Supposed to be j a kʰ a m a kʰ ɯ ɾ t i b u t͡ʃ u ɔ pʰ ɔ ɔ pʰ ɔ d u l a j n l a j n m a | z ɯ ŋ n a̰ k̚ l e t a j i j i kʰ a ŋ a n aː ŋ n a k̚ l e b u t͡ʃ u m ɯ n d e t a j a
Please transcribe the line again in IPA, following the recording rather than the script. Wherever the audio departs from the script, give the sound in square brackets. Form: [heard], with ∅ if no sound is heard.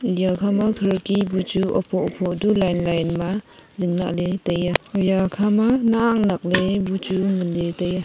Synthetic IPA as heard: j a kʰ a m a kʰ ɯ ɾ [k] i b u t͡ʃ u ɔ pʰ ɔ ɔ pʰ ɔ d u l a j n l a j n m a | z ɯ ŋ n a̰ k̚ l e t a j [a] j [a] kʰ a [m] a n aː ŋ n a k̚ l e b u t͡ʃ u m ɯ n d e t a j a